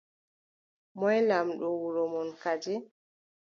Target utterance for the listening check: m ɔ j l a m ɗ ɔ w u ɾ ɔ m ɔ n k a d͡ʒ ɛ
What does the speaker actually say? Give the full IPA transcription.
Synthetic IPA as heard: m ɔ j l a m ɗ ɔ w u ɾ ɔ m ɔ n k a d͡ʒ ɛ